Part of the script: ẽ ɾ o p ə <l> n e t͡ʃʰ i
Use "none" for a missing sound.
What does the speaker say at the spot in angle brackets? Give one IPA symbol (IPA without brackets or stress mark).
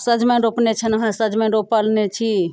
l